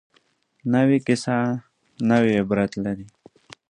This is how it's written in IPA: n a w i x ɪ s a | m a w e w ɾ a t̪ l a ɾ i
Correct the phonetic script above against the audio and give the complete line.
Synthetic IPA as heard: n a w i k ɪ s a | n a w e b ɾ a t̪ l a ɾ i